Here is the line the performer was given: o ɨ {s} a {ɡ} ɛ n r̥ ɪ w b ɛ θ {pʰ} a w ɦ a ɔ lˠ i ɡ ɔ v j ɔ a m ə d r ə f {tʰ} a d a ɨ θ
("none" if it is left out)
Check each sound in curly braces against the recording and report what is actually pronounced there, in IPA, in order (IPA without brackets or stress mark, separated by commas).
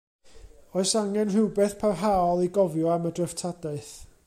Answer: s, ŋ, pʰ, tʰ